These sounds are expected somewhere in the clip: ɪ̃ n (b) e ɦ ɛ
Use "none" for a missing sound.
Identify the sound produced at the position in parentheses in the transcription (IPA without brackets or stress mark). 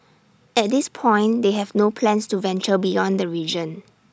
d